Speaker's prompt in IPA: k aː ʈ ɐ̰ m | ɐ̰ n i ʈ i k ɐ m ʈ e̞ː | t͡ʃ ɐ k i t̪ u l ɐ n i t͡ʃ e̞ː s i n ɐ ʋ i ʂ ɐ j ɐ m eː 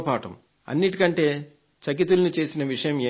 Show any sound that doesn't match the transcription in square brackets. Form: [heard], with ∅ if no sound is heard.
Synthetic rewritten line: [p] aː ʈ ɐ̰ m | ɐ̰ [nː] i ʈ i k ɐ [ɳ] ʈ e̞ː | t͡ʃ ɐ k i t̪ u l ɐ n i t͡ʃ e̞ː s i n ɐ ʋ i ʂ ɐ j ɐ m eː